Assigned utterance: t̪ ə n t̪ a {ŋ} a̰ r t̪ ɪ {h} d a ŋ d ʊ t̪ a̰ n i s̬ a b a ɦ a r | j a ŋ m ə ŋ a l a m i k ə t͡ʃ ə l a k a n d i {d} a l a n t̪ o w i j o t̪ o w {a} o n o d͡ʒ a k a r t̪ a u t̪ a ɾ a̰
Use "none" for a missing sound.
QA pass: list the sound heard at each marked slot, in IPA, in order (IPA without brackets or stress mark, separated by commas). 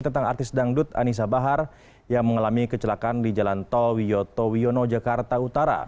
ŋ, s, d͡ʒ, i